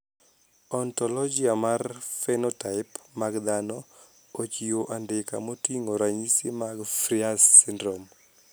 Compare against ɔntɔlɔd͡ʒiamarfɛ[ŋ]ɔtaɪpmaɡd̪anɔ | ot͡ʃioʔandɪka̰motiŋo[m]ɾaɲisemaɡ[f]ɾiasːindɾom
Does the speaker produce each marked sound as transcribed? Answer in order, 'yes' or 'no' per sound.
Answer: no, no, yes

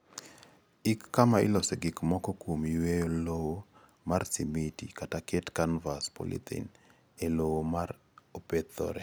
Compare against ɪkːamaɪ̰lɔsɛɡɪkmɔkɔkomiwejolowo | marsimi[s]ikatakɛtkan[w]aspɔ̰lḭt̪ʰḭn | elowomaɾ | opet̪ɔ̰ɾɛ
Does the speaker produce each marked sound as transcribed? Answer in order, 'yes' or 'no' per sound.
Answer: no, no

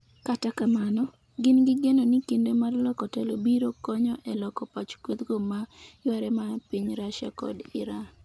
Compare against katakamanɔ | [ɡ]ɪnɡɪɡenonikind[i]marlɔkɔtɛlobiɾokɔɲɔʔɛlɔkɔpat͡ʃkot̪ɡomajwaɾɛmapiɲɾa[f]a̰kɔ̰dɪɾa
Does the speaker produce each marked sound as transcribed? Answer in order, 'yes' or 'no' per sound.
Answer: yes, no, no

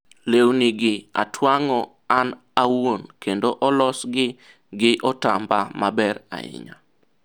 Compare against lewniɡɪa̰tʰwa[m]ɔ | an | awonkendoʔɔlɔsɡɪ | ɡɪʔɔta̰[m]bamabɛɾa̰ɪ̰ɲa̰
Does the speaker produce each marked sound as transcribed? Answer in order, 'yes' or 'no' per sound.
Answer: no, yes

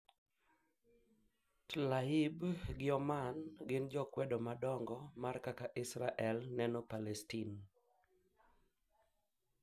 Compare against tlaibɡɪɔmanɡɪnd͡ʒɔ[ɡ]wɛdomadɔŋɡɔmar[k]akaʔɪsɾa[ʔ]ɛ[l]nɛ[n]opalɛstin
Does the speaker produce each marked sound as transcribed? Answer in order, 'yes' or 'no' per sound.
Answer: no, yes, yes, yes, yes

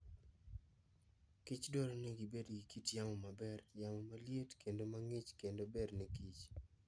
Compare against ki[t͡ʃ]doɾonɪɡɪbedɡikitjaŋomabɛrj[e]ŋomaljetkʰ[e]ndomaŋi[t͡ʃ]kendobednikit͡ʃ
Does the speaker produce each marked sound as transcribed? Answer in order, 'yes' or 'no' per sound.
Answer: yes, no, yes, yes

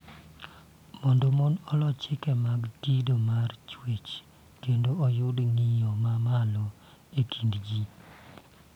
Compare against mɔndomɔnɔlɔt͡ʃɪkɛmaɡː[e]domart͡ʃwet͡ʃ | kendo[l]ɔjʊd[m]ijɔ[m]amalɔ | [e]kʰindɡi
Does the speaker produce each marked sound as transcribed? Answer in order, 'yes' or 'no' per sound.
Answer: no, no, no, yes, yes

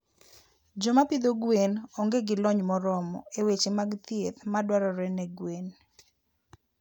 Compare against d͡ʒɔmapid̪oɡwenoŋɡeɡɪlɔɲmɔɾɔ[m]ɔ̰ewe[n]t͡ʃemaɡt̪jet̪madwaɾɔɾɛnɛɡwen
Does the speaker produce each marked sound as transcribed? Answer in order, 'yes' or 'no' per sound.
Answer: yes, no

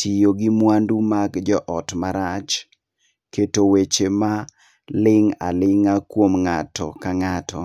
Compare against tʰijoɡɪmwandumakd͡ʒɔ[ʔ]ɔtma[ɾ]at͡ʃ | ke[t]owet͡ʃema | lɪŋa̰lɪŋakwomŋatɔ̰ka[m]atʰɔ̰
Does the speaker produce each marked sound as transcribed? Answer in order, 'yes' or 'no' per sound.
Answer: yes, yes, yes, no

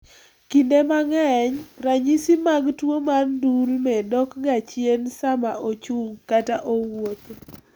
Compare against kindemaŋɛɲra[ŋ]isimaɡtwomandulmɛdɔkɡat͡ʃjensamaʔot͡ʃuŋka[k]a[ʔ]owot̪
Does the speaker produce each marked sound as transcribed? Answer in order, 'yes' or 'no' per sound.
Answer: no, no, yes

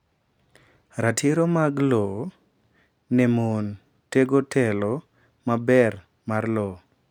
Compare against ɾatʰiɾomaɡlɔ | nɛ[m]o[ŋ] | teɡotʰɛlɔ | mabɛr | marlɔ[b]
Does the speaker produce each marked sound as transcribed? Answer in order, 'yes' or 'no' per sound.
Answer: yes, no, no

